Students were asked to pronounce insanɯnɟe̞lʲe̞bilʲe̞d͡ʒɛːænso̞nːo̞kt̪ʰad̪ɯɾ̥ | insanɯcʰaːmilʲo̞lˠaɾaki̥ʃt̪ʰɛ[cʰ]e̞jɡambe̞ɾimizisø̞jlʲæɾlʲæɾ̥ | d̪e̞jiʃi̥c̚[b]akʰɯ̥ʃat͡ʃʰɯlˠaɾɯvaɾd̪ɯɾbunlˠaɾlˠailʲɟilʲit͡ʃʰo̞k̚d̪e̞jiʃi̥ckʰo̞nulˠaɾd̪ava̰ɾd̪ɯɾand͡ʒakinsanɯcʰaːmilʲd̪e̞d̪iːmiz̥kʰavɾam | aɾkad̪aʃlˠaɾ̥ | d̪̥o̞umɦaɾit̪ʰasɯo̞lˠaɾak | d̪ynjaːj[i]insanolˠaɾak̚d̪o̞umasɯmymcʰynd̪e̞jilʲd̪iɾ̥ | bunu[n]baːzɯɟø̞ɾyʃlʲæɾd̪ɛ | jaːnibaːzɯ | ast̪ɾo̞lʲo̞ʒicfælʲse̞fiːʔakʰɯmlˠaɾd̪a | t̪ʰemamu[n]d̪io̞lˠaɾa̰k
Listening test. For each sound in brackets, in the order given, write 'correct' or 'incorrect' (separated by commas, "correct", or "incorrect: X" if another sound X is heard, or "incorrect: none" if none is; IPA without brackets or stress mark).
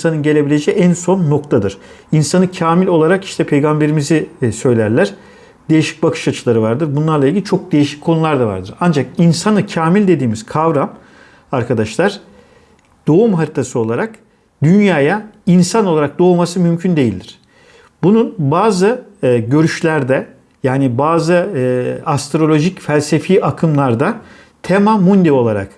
incorrect: pʰ, correct, incorrect: a, correct, correct